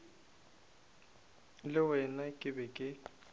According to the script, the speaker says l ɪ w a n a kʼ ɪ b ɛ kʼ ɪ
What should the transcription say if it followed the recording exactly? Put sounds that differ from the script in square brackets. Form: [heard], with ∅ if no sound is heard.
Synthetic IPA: l ɪ w [ɛ] n a kʼ ɪ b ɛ kʼ ɪ